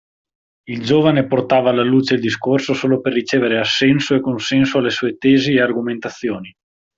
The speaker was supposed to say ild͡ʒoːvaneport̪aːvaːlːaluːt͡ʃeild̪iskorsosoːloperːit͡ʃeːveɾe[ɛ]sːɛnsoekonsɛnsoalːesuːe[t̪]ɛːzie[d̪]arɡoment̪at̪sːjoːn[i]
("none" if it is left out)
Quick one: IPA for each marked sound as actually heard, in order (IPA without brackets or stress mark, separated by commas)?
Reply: a, t̪, none, i